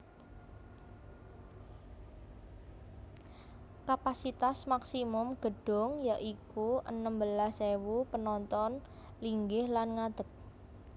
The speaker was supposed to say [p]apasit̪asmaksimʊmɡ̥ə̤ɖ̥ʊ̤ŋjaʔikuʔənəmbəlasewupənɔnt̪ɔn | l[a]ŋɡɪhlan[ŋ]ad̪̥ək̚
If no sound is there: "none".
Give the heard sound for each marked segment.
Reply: k, i, ŋ

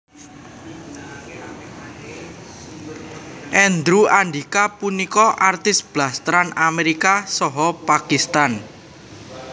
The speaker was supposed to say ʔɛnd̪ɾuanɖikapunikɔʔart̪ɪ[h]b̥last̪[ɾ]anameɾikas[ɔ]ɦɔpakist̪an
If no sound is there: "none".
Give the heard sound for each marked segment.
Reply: s, ɾ, ɔ

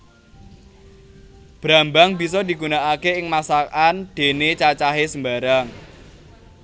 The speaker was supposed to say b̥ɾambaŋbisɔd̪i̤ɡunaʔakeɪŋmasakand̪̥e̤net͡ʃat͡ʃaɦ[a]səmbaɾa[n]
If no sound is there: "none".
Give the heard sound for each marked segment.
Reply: e, ŋ

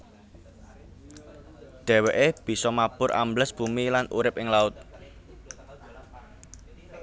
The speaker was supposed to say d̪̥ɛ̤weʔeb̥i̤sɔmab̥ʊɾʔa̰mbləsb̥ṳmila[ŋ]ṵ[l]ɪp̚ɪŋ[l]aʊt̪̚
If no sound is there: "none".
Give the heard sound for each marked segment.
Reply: n, ɾ, l

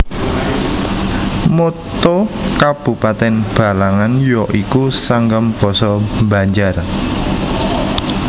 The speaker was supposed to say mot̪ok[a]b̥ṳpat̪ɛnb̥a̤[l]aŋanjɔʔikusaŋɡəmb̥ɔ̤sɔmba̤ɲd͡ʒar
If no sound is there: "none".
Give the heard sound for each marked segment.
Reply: a, l

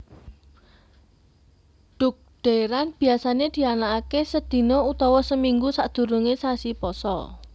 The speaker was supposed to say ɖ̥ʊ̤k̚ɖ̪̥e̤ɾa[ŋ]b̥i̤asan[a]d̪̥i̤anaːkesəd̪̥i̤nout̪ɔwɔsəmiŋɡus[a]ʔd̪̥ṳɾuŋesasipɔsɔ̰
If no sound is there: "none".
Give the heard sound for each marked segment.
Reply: n, e, a

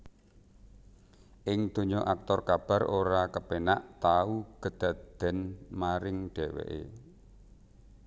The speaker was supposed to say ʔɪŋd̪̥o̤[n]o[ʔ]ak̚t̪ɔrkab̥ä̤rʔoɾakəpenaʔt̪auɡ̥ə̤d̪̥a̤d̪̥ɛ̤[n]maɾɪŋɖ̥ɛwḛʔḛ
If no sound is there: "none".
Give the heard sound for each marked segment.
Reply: ɲ, ʔ, n

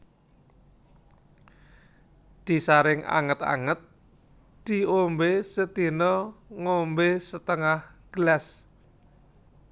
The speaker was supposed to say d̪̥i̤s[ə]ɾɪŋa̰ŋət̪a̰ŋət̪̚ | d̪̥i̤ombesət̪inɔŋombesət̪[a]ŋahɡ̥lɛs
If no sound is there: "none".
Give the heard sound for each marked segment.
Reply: a, ə

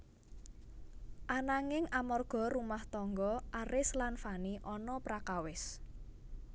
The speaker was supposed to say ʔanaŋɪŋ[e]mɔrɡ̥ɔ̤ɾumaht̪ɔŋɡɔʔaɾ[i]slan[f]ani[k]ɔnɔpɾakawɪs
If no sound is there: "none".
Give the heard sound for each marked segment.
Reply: a, ɪ, f, ʔ

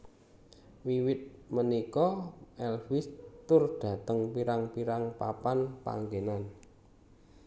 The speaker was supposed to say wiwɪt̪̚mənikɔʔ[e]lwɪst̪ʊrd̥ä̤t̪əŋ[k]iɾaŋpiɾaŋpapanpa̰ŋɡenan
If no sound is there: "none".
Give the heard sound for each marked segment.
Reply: ɛ, p

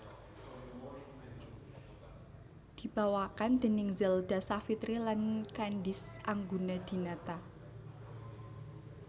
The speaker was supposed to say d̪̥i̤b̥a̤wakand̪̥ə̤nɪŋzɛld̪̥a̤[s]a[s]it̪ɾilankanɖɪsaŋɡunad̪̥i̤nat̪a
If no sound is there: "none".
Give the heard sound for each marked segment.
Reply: s, f

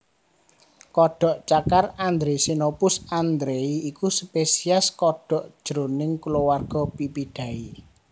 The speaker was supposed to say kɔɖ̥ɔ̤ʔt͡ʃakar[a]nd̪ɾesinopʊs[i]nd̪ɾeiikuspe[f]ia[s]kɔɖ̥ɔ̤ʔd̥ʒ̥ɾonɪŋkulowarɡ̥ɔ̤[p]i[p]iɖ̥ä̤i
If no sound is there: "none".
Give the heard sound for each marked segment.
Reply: a, a, s, s, p, p

